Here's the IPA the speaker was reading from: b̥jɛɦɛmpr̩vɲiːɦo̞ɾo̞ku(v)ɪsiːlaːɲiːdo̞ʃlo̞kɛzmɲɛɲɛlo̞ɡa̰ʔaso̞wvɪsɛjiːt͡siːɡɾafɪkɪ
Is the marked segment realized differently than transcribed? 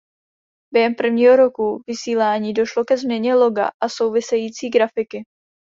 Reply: no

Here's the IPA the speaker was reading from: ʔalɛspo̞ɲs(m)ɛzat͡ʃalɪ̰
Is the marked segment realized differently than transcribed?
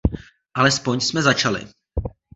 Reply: no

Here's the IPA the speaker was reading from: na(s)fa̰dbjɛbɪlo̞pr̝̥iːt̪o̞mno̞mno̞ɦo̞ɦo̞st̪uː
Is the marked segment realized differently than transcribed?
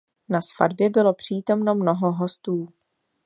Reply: no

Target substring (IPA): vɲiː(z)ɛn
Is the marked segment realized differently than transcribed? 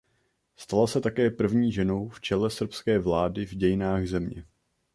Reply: yes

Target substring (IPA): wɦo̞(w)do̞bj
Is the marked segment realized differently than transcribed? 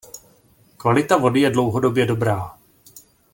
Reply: yes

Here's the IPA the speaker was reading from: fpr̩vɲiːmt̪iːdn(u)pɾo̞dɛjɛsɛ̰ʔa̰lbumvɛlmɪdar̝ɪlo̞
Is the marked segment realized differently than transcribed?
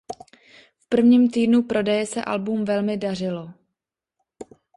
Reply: no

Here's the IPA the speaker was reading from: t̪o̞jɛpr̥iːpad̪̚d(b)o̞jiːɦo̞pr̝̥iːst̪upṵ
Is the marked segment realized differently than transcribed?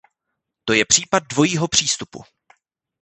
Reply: yes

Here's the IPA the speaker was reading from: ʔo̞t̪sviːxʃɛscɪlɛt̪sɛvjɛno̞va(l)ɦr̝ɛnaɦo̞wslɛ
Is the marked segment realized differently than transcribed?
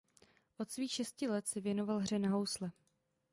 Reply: no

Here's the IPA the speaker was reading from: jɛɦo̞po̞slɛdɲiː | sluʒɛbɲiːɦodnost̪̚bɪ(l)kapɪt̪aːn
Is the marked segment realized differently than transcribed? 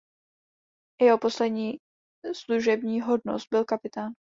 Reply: no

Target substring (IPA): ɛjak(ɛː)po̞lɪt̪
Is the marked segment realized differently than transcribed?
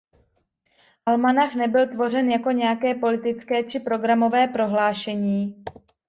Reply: no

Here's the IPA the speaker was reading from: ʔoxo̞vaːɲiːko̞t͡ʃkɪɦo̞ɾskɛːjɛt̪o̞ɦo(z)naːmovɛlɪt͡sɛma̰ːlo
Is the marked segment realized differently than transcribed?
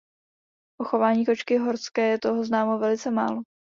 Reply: no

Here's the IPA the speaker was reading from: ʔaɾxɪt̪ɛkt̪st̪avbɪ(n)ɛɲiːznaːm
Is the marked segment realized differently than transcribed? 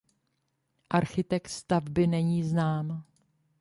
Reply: no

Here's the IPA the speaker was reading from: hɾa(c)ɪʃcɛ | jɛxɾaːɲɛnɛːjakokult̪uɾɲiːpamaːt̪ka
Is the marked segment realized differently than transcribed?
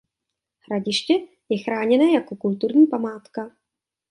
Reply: yes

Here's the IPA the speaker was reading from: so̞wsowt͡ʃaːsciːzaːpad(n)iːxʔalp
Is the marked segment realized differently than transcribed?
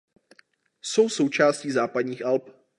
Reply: yes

